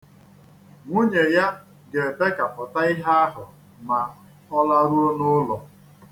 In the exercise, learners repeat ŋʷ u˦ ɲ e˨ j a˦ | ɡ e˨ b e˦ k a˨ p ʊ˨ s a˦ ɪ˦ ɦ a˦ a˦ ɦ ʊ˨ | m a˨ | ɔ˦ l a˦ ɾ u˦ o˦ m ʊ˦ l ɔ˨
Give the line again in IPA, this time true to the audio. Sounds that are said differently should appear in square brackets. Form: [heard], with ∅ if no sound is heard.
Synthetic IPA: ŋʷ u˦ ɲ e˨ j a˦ | ɡ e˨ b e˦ k a˨ p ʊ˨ [t] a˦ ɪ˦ ɦ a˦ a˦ ɦ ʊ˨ | m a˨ | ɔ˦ l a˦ ɾ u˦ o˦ [n] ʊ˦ l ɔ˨